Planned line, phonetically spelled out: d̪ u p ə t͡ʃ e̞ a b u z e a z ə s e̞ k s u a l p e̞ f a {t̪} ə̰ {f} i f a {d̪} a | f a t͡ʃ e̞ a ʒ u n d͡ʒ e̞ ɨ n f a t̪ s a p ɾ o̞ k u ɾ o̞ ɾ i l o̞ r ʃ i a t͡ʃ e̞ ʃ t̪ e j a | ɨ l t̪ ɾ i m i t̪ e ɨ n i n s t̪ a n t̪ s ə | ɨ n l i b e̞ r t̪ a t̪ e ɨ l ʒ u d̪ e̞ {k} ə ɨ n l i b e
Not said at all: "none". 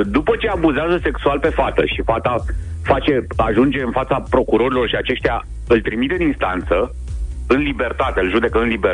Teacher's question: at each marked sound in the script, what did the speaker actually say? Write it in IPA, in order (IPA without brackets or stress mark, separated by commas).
t̪, ʃ, t̪, k